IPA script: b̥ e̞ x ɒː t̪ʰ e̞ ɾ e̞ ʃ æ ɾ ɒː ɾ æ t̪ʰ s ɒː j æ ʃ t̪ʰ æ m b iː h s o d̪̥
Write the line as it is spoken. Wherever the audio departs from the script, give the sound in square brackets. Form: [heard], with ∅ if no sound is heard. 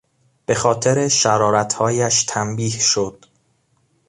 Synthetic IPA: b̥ e̞ x ɒː t̪ʰ e̞ ɾ e̞ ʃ æ ɾ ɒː ɾ æ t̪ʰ [h] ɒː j æ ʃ t̪ʰ æ m b iː h [ʃ] o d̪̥